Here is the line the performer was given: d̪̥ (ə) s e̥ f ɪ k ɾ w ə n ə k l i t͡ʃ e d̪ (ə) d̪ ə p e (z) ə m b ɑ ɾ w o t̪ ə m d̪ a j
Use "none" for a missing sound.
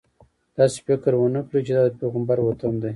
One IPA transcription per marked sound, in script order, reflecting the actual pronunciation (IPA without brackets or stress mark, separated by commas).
ɑ, ɑ, ɣ